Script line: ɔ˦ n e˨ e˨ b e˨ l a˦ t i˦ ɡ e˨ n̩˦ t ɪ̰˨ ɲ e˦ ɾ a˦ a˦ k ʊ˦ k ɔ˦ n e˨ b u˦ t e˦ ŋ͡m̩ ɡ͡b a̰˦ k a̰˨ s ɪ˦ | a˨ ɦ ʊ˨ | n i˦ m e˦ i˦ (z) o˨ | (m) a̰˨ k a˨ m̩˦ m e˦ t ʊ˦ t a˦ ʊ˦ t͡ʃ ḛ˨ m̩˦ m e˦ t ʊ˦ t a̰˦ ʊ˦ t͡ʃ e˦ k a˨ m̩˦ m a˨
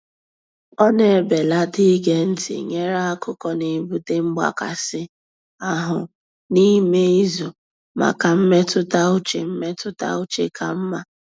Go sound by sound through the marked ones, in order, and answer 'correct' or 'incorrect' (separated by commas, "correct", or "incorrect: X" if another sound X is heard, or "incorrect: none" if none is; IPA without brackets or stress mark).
correct, correct